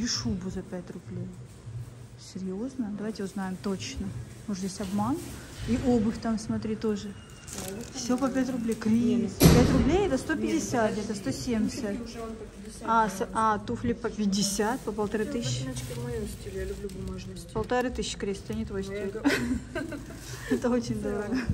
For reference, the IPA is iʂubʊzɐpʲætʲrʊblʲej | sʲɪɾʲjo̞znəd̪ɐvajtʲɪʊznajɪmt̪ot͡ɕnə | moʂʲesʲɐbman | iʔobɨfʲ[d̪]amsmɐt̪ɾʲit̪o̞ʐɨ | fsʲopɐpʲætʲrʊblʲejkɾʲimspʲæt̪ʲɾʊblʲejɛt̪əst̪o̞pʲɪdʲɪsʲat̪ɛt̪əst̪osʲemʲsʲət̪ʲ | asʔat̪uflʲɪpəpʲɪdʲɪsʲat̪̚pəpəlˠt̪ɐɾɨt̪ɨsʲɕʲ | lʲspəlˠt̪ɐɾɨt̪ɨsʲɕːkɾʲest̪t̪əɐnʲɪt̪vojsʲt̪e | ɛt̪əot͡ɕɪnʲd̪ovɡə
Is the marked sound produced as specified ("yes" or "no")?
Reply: no